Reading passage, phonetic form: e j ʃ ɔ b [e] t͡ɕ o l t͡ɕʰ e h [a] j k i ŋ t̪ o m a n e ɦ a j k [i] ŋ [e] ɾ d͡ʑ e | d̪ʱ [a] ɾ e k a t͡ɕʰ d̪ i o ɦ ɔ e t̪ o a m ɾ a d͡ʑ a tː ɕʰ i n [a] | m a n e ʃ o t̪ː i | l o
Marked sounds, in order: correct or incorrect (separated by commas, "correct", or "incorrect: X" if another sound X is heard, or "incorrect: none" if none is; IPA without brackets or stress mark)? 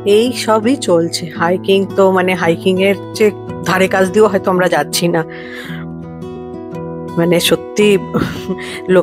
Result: incorrect: i, correct, correct, correct, correct, correct